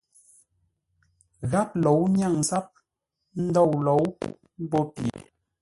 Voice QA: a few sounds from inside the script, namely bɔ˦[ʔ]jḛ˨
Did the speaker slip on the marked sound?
yes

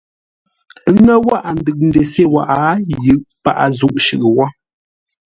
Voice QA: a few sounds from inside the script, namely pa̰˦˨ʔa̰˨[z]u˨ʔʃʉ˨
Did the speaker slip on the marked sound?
no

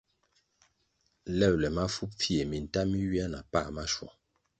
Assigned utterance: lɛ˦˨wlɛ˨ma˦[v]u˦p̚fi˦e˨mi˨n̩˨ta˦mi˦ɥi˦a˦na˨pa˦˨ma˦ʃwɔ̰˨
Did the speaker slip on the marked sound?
yes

